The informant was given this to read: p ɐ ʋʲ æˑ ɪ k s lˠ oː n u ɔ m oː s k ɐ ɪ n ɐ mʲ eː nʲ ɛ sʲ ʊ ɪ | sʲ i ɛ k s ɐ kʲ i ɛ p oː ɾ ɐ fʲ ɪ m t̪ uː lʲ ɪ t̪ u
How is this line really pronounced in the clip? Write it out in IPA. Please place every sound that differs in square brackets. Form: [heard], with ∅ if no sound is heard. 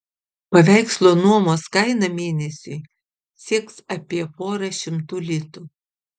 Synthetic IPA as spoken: p ɐ ʋʲ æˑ ɪ k s lˠ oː n u ɔ m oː s k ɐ ɪ n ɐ mʲ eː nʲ ɛ sʲ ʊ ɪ | sʲ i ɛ k s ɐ [pʲ] i ɛ p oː ɾ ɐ [ʃʲ] ɪ m t̪ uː lʲ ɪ t̪ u

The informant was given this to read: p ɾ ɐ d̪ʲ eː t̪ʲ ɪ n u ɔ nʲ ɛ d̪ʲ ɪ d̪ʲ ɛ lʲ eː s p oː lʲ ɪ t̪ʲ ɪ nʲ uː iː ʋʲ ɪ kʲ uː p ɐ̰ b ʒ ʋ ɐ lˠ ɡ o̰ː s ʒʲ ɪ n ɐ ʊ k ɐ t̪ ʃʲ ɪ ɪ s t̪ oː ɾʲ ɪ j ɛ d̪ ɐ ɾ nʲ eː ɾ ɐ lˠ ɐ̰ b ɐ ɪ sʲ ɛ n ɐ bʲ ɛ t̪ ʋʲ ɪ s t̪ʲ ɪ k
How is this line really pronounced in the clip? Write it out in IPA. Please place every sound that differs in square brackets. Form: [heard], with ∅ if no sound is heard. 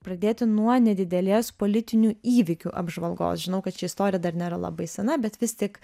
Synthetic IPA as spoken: p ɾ ɐ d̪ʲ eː t̪ʲ ɪ n u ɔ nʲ ɛ d̪ʲ ɪ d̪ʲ ɛ lʲ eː s p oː lʲ ɪ t̪ʲ ɪ nʲ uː iː ʋʲ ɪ kʲ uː [ʔ] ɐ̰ b ʒ ʋ ɐ lˠ ɡ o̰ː s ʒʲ ɪ n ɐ ʊ k ɐ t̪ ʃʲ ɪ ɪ s t̪ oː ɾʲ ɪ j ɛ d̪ ɐ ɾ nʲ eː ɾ ɐ lˠ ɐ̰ b ɐ ɪ sʲ ɛ n ɐ bʲ ɛ t̪ ʋʲ ɪ s t̪ʲ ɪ k

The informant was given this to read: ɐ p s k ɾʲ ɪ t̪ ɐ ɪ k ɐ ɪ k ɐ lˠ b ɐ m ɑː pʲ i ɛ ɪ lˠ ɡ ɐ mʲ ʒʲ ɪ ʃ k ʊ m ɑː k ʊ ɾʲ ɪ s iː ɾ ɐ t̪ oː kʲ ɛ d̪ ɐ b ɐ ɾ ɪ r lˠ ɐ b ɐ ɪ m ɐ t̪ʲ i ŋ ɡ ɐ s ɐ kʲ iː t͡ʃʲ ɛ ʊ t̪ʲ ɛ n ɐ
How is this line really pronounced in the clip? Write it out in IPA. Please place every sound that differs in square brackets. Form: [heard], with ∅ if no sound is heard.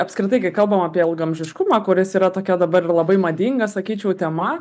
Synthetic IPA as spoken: ɐ p s k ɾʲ ɪ t̪ ɐ ɪ k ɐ ɪ k ɐ lˠ b ɐ m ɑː pʲ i ɛ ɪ lˠ ɡ ɐ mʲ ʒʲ ɪ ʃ k ʊ m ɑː k ʊ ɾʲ ɪ s iː ɾ ɐ t̪ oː kʲ ɛ d̪ ɐ b ɐ ɾ ɪ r lˠ ɐ b ɐ ɪ m ɐ [d̪ʲ] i ŋ ɡ ɐ s ɐ kʲ iː t͡ʃʲ ɛ ʊ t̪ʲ ɛ [m] ɐ

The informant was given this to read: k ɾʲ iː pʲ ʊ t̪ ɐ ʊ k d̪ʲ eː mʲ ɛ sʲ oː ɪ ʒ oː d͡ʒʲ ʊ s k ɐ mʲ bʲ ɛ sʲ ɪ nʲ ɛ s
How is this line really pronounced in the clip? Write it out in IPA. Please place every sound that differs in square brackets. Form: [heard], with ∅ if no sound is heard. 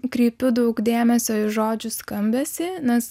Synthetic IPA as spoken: k ɾʲ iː pʲ ʊ [d̪] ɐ ʊ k d̪ʲ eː mʲ ɛ sʲ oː ɪ ʒ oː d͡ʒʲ ʊ s k ɐ mʲ bʲ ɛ sʲ ɪ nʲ ɛ s

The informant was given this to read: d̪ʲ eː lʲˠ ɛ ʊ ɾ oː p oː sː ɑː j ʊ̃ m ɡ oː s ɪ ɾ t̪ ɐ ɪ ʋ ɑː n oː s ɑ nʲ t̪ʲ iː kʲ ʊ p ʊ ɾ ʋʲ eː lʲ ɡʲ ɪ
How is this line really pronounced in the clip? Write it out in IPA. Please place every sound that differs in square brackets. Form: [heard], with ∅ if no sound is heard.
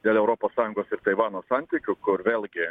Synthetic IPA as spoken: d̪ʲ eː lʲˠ ɛ ʊ ɾ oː p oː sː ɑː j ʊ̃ [ŋ] ɡ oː s ɪ ɾ t̪ ɐ ɪ ʋ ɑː n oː s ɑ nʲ t̪ʲ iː kʲ ʊ [k] ʊ ɾ ʋʲ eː lʲ ɡʲ ɪ

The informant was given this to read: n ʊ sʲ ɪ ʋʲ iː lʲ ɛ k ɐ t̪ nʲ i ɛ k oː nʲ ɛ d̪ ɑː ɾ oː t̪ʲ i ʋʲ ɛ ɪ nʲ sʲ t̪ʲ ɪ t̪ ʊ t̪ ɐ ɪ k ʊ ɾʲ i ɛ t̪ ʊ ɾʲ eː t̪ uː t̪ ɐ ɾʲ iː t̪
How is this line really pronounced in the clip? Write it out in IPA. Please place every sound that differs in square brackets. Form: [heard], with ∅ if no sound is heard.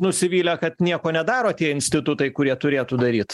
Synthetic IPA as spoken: n ʊ sʲ ɪ ʋʲ iː lʲ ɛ k ɐ t̪ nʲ i ɛ k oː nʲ ɛ d̪ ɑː ɾ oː t̪ʲ i [∅] ɛ ɪ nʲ sʲ t̪ʲ ɪ t̪ ʊ t̪ ɐ ɪ k ʊ ɾʲ i ɛ t̪ ʊ ɾʲ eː t̪ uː [d̪] ɐ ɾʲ iː t̪

